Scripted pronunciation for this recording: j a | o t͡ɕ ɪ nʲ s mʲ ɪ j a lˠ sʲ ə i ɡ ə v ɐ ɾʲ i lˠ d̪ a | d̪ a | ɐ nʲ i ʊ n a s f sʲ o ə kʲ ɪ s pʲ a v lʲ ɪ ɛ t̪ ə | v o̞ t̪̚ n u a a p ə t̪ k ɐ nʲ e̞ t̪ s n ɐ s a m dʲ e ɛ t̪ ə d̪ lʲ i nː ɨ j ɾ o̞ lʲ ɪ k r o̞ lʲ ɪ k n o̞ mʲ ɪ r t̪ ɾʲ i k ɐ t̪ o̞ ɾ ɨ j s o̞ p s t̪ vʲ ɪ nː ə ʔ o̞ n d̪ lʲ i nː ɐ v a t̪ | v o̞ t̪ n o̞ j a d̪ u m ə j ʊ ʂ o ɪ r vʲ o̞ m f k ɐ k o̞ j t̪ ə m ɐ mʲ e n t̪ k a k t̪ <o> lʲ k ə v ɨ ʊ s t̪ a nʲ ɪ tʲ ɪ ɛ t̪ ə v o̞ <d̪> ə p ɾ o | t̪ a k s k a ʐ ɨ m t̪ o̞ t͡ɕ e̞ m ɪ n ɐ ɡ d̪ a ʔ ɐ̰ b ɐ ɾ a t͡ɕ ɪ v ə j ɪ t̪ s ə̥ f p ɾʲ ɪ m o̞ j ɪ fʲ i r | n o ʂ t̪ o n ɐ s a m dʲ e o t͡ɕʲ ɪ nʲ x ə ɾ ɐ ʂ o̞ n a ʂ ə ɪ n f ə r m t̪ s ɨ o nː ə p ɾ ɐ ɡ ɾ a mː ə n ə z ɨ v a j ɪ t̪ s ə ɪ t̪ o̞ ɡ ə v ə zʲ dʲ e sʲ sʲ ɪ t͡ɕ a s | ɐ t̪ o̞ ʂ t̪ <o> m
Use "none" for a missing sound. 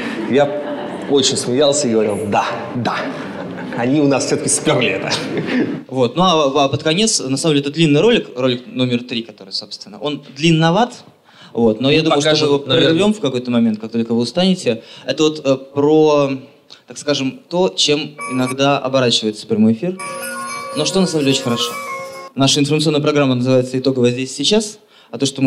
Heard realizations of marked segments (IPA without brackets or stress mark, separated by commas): o, t̪, o